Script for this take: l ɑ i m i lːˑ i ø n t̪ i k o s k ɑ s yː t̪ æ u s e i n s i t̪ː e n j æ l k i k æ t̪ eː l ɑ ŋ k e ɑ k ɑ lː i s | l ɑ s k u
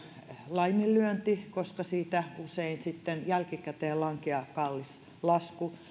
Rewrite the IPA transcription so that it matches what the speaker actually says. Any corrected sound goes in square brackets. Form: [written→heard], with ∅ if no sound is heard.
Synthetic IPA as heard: l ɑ i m i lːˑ [i→y] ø n t̪ i k o s k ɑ s [yː→iː] t̪ æ u s e i n s i t̪ː e n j æ l k i k æ t̪ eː l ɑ ŋ k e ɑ k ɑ lː i s | l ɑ s k u